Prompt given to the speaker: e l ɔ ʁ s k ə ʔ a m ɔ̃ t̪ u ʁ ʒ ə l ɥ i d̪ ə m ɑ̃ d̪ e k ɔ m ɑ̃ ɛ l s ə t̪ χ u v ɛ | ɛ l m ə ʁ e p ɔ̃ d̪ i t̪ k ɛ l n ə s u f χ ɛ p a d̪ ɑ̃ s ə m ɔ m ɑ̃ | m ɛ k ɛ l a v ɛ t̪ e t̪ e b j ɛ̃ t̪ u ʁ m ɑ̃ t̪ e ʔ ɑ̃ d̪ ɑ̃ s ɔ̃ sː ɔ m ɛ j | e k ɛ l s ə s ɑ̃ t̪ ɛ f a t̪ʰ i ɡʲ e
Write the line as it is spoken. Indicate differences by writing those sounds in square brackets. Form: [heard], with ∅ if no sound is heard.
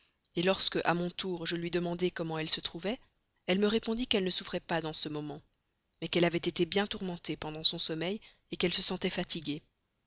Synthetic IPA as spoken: e l ɔ ʁ s k ə ʔ a m ɔ̃ t̪ u ʁ ʒ ə l ɥ i d̪ ə m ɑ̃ d̪ e k ɔ m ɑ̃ ɛ l s ə t̪ χ u v ɛ | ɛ l m ə ʁ e p ɔ̃ d̪ i [∅] k ɛ l n ə s u f χ ɛ p a d̪ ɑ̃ s ə m ɔ m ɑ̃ | m ɛ k ɛ l a v ɛ t̪ e t̪ e b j ɛ̃ t̪ u ʁ m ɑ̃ t̪ e [p] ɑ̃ d̪ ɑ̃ s ɔ̃ [s] ɔ m ɛ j | e k ɛ l s ə s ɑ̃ t̪ ɛ f a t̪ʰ i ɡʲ e